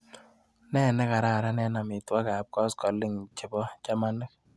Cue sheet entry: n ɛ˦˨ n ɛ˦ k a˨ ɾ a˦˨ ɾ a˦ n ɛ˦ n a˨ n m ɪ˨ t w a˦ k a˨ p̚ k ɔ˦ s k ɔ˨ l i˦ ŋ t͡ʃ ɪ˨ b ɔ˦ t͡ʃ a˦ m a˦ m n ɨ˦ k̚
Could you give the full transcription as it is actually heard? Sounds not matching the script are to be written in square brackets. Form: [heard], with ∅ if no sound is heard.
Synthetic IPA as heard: n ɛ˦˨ n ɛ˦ k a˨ ɾ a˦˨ ɾ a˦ n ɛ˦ n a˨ [∅] m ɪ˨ t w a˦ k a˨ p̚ k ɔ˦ s k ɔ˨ l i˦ ŋ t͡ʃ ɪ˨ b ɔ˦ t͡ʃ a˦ m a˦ [∅] n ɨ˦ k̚